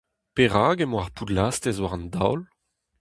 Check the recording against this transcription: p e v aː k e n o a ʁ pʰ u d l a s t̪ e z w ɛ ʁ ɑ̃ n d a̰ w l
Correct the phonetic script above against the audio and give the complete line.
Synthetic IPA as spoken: p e ʁ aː ɡ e m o a ʁ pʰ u d l a s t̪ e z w a ʁ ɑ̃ n d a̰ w l